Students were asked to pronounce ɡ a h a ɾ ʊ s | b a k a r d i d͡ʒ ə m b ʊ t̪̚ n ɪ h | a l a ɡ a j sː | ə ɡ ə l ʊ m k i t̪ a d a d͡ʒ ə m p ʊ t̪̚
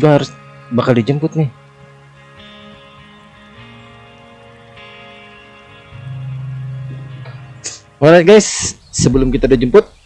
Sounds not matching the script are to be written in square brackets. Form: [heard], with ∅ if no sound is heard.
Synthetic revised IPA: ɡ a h a ɾ ʊ s | b a k a [l] d i d͡ʒ ə m [p] ʊ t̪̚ n ɪ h | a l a ɡ a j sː | ə [b] ə l ʊ m k i t̪ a d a d͡ʒ ə m p ʊ t̪̚

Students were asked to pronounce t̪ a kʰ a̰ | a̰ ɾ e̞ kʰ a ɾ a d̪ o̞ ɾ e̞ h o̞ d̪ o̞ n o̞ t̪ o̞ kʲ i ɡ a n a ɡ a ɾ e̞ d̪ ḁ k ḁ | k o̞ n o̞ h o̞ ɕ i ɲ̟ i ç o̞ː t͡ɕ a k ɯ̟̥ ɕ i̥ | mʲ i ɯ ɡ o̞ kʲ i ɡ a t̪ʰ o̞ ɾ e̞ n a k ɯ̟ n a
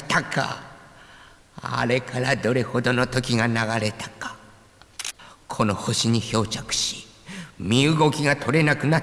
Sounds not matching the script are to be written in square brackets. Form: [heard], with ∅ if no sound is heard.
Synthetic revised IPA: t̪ a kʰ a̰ | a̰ ɾ e̞ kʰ a ɾ a d̪ o̞ ɾ e̞ h o̞ d̪ o̞ n o̞ t̪ o̞ kʲ i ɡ a n a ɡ a ɾ e̞ [t̪] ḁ k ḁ | [kʰ] o̞ n o̞ h o̞ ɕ i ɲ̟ i ç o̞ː t͡ɕ a k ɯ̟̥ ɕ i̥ | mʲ i ɯ ɡ o̞ kʲ i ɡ a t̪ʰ o̞ ɾ e̞ n a k ɯ̟ n a

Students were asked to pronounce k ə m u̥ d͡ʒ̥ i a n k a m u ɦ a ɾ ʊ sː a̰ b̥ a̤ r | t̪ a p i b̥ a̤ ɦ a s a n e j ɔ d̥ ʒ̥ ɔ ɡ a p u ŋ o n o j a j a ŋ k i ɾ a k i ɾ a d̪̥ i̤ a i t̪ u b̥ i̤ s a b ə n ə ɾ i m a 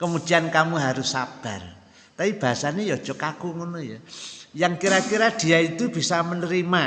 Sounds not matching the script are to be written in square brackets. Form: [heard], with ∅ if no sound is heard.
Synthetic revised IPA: k ə m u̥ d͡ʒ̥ i a n k a m u ɦ a ɾ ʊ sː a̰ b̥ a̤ r | t̪ a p i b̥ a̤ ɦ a s a n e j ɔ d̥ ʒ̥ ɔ [k] a [k] u ŋ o n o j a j a ŋ k i ɾ a k i ɾ a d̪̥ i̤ a i t̪ u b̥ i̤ s a [m] ə n ə ɾ i m a

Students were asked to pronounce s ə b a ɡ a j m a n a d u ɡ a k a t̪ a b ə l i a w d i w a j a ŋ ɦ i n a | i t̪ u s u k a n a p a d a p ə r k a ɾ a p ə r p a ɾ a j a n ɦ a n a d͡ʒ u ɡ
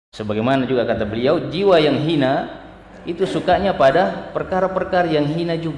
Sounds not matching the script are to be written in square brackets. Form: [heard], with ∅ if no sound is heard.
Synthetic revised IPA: s ə b a ɡ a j m a n a [d͡ʒ] u ɡ a k a t̪ a b ə l i a w [d͡ʒ] i w a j a ŋ ɦ i n a | i t̪ u s u k a [ɲ] a p a d a p ə r k a ɾ a p ə r [k] a ɾ a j a [ŋ] ɦ [i] n a d͡ʒ u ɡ

